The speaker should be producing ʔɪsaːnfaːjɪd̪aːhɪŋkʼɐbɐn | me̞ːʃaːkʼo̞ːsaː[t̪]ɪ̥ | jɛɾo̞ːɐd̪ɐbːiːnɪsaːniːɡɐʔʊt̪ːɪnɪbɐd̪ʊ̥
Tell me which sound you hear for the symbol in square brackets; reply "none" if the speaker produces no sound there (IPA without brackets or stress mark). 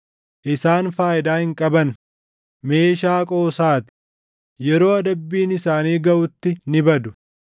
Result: t̪